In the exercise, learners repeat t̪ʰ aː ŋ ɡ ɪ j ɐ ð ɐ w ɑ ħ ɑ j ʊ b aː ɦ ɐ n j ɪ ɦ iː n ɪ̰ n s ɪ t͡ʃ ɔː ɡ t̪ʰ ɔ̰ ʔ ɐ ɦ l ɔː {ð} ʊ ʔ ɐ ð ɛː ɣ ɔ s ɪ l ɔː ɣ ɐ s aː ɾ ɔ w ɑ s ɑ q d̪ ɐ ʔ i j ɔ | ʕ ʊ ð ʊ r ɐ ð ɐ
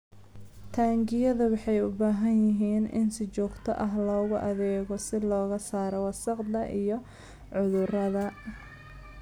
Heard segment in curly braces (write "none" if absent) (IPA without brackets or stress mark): ɣ